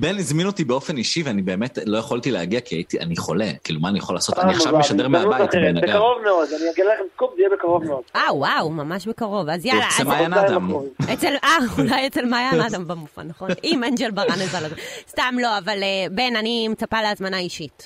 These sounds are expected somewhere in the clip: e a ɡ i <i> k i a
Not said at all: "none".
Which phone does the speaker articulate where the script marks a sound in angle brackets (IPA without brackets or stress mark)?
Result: a